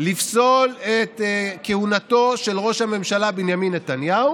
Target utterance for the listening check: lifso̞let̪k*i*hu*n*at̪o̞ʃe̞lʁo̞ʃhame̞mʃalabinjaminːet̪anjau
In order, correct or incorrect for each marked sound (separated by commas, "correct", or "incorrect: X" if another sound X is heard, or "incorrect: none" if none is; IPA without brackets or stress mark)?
incorrect: e, correct